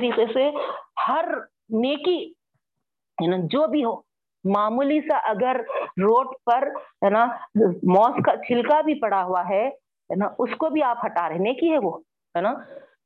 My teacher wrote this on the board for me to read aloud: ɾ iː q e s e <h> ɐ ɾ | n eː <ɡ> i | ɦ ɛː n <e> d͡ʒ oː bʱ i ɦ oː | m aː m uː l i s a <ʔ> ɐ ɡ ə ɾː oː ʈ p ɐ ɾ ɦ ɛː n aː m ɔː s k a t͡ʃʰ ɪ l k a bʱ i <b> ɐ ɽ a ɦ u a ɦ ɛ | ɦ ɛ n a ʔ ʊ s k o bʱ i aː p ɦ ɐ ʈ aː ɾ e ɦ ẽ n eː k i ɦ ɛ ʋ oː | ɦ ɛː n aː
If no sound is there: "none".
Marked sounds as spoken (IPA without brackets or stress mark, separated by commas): h, k, a, ʔ, p